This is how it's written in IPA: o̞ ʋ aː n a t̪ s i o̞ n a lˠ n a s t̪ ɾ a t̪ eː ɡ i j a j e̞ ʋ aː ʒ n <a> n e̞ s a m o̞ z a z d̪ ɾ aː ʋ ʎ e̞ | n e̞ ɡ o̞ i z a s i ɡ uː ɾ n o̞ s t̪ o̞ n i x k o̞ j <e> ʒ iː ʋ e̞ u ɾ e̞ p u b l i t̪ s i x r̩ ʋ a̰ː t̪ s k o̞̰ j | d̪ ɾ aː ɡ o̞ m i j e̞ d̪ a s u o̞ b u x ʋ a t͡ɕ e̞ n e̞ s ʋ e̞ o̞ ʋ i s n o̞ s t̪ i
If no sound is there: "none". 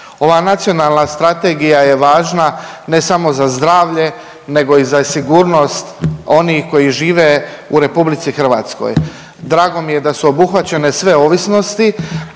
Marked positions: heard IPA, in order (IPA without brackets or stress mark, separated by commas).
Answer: a, i